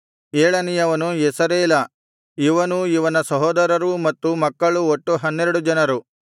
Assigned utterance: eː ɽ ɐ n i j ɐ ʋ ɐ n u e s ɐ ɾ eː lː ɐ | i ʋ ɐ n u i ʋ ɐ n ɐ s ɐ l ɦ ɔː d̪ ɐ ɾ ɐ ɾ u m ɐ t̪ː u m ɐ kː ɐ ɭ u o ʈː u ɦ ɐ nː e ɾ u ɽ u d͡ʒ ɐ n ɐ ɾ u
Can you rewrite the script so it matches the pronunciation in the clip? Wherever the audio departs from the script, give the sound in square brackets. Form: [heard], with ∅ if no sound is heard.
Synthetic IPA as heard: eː [ɭ] ɐ n i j ɐ ʋ ɐ n u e s ɐ ɾ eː [l] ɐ | i ʋ ɐ n u i ʋ ɐ n ɐ s ɐ [∅] ɦ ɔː d̪ ɐ ɾ ɐ ɾ u m ɐ t̪ː u m ɐ kː ɐ ɭ u o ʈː u ɦ ɐ nː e ɾ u ɽ u d͡ʒ ɐ n ɐ ɾ u